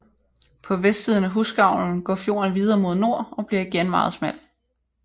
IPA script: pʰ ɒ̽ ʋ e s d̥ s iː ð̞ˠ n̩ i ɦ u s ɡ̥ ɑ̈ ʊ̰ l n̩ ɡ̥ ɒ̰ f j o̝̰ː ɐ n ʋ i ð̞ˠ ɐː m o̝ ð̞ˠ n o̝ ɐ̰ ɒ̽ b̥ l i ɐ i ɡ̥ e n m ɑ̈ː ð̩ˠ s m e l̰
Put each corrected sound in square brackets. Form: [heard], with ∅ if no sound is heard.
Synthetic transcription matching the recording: pʰ ɒ̽ ʋ e s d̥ s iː ð̞ˠ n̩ [æ] ɦ u s ɡ̥ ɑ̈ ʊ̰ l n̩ ɡ̥ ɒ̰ f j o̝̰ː ɐ n ʋ i ð̞ˠ ɐː m o̝ ð̞ˠ n o̝ ɐ̰ ɒ̽ b̥ l i ɐ i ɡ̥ e n m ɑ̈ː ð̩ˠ s m [æ] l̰